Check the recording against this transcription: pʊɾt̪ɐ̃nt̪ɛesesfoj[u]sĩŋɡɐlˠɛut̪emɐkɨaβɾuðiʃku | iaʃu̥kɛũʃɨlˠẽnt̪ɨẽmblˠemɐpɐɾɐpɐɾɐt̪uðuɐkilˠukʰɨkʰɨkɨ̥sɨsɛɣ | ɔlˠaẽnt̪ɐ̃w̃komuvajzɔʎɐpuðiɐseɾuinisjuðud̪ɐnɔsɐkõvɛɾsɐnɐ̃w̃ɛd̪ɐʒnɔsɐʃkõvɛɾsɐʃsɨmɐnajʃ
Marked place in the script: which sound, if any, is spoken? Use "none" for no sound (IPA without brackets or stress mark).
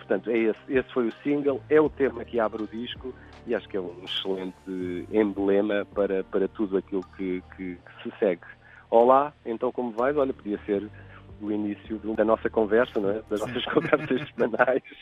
u